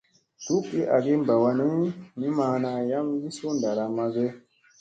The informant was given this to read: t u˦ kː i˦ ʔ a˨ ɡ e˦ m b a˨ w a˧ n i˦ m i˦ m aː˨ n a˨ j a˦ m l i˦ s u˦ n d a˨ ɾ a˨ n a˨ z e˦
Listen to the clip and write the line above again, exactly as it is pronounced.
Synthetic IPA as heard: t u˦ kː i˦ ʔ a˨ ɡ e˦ m b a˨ w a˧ n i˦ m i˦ m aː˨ n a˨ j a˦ m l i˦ s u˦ n d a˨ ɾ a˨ m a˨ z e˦